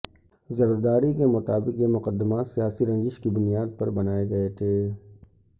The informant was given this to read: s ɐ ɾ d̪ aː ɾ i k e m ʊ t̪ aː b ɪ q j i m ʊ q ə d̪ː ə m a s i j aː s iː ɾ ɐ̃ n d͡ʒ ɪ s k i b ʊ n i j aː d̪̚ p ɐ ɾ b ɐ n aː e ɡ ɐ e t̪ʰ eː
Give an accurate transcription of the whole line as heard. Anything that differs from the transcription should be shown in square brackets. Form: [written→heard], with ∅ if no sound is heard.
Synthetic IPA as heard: [s→z] ɐ ɾ d̪ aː ɾ i k e m ʊ t̪ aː b ɪ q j [i→e] m ʊ q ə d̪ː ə m a s i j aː s [iː→i] ɾ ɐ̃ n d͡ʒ ɪ [s→ʃ] k i b ʊ n i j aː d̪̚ p ɐ ɾ b ɐ n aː e ɡ ɐ e t̪ʰ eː

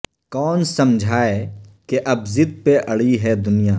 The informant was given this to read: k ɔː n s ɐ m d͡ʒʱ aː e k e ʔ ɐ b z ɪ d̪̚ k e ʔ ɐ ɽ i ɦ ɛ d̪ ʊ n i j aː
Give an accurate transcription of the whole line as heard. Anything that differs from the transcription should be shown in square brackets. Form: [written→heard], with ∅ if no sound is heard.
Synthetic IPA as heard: k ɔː n s ɐ m d͡ʒʱ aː e k e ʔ ɐ b z ɪ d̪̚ [k→p] e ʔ ɐ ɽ i ɦ ɛ d̪ ʊ n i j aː

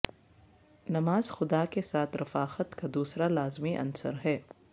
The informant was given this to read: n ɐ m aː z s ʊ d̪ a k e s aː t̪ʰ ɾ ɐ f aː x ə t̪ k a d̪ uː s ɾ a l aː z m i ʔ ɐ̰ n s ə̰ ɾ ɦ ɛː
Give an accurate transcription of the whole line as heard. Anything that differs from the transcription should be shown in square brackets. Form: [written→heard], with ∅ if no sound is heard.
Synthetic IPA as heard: n ɐ m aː z [s→x] ʊ d̪ a k e s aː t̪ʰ ɾ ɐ f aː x ə t̪ k a d̪ uː s ɾ a l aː z m i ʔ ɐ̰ n s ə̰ ɾ ɦ ɛː

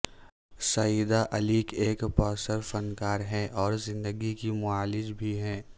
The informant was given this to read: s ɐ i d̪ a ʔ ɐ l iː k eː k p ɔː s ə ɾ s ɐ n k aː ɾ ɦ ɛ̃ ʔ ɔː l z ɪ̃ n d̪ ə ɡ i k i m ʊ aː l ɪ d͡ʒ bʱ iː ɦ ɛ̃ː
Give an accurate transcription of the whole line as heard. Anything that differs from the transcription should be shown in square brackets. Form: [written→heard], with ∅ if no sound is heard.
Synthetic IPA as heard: s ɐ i d̪ a ʔ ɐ l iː k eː k p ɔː s ə ɾ [s→f] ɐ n k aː ɾ ɦ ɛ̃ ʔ ɔː [l→ɾ] z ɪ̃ n d̪ ə ɡ i k i m ʊ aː l ɪ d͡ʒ bʱ [iː→i] ɦ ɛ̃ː

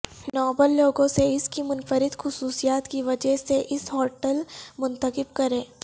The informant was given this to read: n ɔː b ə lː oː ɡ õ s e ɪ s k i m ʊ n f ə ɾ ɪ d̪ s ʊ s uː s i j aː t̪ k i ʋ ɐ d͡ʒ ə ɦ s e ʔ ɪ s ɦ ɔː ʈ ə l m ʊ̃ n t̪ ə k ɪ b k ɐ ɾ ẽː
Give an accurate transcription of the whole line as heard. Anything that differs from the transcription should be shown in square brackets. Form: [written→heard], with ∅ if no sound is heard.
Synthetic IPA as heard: n ɔː b ə lː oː ɡ õ s e ɪ s k i m ʊ n f ə ɾ ɪ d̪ [s→x] ʊ s uː s i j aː t̪ k i ʋ ɐ d͡ʒ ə ɦ s e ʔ ɪ s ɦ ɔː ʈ ə l m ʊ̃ n t̪ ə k ɪ b k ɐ ɾ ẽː

